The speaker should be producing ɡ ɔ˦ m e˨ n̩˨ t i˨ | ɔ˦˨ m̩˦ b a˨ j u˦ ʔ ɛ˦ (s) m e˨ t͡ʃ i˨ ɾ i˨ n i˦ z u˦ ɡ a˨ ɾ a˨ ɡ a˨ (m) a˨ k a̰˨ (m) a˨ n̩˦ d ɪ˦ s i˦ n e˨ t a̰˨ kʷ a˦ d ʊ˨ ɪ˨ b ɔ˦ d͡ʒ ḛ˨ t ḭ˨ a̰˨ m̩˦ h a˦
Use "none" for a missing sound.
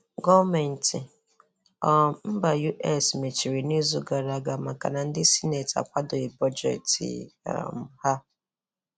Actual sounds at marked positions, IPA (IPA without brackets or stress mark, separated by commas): s, m, n